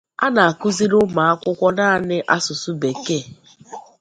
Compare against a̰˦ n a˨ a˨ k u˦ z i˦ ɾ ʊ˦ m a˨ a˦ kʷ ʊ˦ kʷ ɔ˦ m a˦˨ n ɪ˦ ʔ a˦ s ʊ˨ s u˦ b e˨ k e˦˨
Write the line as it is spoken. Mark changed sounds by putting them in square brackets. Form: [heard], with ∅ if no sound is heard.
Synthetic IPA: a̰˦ n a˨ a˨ k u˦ z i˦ ɾ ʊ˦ m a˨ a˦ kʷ ʊ˦ kʷ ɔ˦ [n] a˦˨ n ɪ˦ ʔ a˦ s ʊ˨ s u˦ b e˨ k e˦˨

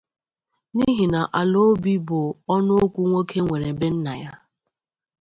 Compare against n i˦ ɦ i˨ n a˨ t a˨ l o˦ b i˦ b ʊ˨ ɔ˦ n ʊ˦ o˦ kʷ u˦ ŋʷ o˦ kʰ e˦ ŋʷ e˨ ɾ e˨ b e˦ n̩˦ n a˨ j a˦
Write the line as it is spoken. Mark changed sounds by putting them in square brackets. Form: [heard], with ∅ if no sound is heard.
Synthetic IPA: n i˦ ɦ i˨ n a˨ [ʔ] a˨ l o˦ b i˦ b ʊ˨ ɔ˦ n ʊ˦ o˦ kʷ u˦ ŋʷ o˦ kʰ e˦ ŋʷ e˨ ɾ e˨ b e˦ n̩˦ n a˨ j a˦

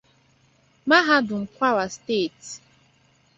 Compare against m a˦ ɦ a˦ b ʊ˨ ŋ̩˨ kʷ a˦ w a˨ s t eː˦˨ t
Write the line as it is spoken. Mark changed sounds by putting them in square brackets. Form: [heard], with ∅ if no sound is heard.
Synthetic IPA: m a˦ ɦ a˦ [d] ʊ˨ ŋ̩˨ kʷ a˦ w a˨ s t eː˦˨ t

